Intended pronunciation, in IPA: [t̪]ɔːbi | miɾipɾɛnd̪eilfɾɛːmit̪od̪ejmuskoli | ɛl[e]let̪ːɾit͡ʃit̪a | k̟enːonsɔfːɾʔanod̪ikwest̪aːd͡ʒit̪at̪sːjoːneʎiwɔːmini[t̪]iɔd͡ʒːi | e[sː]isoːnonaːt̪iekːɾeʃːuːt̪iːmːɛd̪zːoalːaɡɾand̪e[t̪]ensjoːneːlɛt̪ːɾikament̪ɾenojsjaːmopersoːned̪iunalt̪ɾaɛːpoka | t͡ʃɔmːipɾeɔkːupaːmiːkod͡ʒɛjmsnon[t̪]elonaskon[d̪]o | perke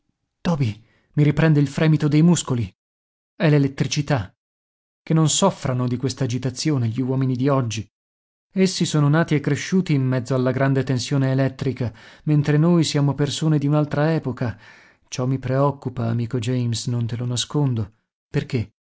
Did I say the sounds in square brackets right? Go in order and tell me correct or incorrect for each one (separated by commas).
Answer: correct, correct, incorrect, correct, correct, correct, correct